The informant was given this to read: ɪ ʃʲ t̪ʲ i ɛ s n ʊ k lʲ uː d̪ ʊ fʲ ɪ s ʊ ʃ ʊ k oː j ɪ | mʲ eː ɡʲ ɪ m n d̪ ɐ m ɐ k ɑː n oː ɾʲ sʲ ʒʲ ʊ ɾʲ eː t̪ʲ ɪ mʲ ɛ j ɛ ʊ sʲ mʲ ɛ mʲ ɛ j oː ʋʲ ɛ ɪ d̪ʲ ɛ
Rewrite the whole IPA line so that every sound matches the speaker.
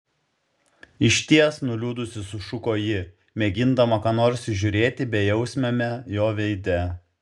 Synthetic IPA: ɪ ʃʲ t̪ʲ i ɛ s n ʊ lʲ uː d̪ ʊ sʲ ɪ s ʊ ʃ ʊ k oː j ɪ | mʲ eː ɡʲ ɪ n d̪ ɐ m ɐ k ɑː n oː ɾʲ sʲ ʒʲ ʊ ɾʲ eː t̪ʲ ɪ bʲ ɛ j ɛ ʊ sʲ mʲ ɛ mʲ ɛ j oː ʋʲ ɛ ɪ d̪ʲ ɛ